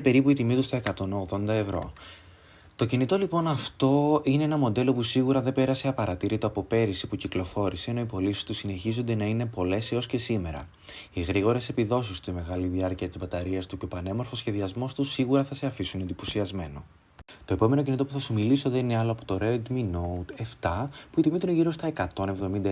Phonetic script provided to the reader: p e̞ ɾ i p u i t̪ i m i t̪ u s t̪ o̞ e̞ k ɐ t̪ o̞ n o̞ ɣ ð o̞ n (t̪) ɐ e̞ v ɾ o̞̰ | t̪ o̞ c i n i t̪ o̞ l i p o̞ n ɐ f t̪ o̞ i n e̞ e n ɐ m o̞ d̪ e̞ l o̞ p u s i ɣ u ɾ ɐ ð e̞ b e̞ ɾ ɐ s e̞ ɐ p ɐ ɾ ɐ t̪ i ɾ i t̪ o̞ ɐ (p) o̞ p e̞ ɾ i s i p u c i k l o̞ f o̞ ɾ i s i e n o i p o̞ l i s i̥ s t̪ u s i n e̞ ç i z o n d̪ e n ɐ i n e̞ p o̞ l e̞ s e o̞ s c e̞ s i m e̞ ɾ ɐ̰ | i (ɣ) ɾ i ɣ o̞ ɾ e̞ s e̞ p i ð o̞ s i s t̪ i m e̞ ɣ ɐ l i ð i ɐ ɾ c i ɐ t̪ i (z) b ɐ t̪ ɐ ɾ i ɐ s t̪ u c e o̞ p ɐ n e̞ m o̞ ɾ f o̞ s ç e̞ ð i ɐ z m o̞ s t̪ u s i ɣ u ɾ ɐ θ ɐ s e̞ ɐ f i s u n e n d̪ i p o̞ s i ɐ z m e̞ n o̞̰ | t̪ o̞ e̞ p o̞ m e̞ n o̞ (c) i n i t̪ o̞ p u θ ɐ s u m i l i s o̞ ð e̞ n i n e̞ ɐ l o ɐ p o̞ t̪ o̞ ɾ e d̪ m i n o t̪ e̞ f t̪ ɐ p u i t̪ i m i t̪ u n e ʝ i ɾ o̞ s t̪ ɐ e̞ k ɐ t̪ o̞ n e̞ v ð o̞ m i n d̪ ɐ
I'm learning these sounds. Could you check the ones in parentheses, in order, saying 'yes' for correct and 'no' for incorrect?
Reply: no, yes, yes, yes, yes

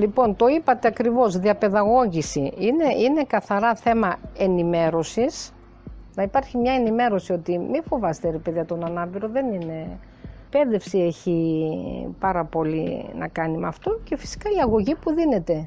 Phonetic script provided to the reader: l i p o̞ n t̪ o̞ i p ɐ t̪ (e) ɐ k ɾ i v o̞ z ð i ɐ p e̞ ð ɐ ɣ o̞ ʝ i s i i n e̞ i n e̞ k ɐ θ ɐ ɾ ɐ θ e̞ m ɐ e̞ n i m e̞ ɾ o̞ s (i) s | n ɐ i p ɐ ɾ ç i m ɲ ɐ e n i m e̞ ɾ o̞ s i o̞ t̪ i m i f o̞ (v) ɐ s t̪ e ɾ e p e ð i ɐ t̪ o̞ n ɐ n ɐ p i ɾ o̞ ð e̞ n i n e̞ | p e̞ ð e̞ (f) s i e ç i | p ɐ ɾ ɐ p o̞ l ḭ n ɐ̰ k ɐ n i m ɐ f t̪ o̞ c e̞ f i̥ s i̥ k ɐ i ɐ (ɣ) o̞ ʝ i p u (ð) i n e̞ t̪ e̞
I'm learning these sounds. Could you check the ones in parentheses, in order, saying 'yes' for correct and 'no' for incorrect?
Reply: yes, yes, yes, yes, yes, yes

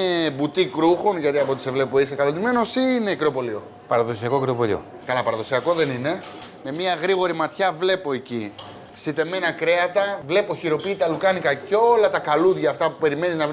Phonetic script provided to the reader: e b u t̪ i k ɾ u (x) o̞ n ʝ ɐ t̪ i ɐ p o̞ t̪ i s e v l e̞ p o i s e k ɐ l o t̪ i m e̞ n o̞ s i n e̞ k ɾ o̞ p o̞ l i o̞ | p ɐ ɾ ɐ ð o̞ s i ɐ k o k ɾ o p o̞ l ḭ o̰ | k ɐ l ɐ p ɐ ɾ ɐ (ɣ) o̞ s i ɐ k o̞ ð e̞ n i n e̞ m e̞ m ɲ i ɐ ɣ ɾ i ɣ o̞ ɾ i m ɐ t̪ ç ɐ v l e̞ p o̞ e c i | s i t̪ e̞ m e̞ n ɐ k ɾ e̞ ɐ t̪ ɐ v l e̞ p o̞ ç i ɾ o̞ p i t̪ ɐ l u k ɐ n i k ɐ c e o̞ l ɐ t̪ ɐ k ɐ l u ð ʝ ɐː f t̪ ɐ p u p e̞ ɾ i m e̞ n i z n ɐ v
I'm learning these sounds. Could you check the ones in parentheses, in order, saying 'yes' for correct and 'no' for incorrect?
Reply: yes, no

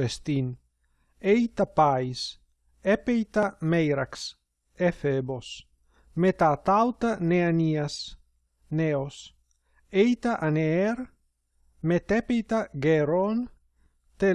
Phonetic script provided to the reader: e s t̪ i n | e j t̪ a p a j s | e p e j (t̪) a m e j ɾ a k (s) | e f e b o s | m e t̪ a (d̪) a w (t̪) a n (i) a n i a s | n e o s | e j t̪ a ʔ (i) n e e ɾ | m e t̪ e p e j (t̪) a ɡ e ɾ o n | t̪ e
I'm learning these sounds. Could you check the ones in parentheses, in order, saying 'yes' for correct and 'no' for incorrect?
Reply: yes, yes, no, yes, no, no, yes

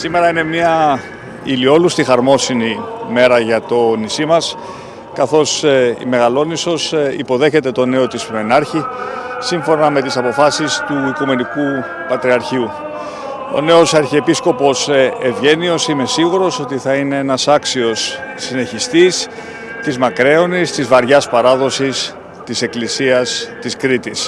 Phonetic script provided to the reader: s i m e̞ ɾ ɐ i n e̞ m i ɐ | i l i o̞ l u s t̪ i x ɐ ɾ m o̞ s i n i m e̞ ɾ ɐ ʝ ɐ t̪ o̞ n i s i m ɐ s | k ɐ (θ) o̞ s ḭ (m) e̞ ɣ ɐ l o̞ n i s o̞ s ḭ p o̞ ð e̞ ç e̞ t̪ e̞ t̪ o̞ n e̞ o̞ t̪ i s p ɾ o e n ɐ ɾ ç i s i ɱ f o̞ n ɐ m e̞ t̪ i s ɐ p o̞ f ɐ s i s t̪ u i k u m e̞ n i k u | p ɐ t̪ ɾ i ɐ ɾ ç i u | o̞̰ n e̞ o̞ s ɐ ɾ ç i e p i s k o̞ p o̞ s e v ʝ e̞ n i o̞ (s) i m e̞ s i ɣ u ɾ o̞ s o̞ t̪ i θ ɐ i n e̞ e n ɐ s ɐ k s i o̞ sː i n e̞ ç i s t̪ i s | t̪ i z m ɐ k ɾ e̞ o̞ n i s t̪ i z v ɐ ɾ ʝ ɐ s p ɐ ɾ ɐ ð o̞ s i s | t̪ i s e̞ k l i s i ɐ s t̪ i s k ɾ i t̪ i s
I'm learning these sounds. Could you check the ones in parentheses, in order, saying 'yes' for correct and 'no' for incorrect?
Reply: yes, yes, yes

